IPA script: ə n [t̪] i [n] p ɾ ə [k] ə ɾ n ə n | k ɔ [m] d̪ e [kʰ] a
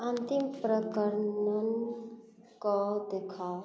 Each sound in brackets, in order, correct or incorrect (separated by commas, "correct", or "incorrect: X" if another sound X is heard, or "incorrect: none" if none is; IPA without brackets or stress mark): correct, incorrect: m, correct, incorrect: none, correct